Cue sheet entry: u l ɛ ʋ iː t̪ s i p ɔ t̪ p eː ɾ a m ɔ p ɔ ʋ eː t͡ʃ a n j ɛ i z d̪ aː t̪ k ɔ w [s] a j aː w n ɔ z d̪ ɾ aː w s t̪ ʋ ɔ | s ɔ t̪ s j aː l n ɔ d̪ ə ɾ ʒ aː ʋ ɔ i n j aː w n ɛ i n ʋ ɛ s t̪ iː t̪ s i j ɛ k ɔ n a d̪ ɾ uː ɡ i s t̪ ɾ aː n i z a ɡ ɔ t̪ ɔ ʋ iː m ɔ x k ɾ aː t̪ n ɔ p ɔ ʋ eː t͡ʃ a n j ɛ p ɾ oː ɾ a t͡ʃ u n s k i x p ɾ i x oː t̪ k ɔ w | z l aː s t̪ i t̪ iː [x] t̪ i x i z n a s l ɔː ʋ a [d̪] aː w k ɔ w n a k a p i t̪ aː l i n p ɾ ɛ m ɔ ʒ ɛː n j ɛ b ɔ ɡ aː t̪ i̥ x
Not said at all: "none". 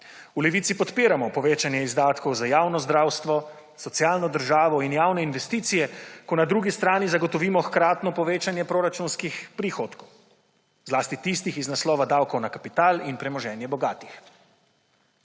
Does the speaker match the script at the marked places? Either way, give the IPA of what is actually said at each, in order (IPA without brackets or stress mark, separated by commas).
z, s, d̪